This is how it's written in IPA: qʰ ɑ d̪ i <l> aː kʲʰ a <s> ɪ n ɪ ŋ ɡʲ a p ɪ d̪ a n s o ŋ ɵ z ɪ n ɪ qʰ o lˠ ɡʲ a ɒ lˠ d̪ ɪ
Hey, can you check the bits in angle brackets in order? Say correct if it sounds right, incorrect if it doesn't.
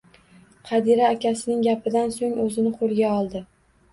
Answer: incorrect: ɾ, correct

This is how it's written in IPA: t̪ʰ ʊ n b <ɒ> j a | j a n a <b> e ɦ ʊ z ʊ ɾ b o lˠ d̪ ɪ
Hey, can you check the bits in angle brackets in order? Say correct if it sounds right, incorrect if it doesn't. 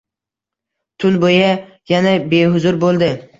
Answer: incorrect: o, correct

